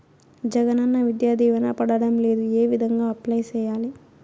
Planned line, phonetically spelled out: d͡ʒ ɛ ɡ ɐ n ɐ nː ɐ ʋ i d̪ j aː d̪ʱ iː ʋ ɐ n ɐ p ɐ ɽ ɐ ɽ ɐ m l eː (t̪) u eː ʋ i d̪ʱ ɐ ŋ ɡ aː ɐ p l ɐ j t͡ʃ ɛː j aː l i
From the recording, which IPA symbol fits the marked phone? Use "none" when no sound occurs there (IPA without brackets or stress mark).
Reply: d̪